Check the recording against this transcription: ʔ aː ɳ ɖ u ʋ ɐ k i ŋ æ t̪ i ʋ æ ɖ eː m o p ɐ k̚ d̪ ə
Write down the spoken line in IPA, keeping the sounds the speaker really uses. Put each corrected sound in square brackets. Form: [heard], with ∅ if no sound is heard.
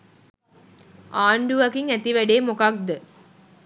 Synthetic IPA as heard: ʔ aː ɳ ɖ u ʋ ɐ k i ŋ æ t̪ i ʋ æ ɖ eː m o [k] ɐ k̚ d̪ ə